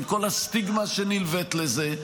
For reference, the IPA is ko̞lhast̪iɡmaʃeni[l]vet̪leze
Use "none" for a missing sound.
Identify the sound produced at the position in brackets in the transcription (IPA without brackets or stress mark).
l